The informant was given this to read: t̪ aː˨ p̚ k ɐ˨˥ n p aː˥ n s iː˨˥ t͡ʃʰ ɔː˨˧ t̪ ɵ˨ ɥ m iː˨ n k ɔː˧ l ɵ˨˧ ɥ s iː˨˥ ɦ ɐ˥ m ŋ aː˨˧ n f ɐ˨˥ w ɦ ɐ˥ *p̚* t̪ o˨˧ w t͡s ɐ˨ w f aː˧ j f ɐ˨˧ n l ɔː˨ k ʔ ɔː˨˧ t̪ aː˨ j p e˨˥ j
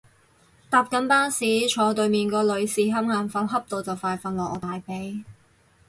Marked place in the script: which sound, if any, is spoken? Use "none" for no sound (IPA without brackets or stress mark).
p̚